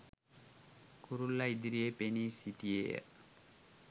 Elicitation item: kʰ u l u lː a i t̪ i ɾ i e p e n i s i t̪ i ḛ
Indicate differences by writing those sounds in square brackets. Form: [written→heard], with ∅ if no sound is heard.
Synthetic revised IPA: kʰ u [l→ɾ] u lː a i [t̪→d̪] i ɾ i e p e n i s i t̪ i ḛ